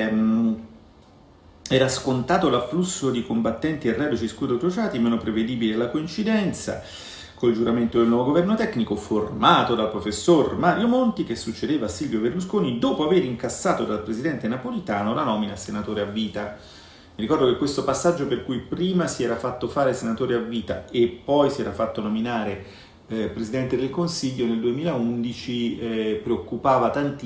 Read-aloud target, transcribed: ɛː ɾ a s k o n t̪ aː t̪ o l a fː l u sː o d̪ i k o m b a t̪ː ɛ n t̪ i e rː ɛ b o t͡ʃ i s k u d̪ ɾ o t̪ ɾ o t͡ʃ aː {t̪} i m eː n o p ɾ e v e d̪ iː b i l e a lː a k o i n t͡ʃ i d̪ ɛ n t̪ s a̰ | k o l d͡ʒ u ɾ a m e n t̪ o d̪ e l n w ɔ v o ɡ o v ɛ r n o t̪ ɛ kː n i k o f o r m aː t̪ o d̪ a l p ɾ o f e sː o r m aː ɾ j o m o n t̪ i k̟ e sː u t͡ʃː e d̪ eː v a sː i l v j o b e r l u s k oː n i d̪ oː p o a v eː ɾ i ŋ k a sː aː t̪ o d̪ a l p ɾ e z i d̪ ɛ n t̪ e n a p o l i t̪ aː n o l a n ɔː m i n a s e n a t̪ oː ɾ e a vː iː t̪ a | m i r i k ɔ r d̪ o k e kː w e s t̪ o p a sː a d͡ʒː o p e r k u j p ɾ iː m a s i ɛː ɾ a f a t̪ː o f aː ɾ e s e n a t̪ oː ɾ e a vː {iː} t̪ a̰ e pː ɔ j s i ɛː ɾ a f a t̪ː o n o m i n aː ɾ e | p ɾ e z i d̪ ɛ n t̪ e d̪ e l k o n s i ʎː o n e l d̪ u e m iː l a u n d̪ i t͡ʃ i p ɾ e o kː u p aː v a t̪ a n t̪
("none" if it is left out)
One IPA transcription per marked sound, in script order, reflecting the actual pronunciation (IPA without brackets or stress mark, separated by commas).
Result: t̪, iː